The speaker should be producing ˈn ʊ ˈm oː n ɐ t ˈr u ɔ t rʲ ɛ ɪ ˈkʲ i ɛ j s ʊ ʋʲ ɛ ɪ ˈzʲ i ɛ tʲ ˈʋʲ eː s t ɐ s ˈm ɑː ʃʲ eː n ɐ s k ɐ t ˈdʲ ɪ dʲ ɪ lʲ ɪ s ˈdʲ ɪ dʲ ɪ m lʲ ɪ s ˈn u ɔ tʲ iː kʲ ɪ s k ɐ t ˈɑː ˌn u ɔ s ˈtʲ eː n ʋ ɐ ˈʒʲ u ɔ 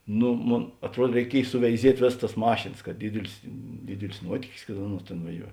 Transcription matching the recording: ˈn ʊ ˈm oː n ɐ t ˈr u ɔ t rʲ ɛ ɪ ˈkʲ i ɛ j s ʊ ʋʲ ɛ ɪ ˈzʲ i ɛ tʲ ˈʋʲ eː s t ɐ s ˈm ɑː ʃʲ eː n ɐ s k ɐ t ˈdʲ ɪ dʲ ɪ lʲ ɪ s ˈdʲ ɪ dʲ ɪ lʲ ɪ s ˈn u ɔ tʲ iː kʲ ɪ s k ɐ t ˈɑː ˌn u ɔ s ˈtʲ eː n ʋ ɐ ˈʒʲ u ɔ